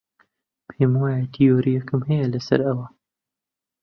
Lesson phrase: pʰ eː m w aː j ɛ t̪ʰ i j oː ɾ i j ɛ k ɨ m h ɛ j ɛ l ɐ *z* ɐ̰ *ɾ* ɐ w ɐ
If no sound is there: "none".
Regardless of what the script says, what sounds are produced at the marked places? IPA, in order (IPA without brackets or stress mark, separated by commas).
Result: s, ɾ